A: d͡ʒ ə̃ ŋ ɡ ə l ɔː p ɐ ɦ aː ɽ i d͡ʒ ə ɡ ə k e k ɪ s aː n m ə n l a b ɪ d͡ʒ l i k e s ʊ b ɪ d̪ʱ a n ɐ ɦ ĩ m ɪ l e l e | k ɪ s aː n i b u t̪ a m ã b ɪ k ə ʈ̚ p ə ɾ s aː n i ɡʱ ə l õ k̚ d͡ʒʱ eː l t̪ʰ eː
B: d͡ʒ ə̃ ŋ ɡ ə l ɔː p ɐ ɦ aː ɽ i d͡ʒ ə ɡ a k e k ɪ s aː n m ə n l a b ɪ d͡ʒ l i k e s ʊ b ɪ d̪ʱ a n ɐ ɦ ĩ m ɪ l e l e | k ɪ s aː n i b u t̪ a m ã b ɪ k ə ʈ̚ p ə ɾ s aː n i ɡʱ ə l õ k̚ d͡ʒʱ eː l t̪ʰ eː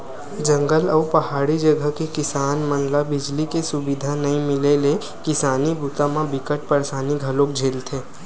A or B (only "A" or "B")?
A